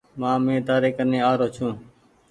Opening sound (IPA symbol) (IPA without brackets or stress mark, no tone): m